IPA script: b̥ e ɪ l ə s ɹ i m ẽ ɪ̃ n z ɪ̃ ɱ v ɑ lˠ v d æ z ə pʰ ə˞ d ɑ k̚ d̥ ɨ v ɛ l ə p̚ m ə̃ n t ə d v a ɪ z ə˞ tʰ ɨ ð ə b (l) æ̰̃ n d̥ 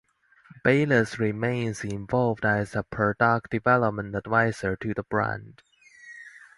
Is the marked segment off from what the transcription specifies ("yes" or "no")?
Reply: yes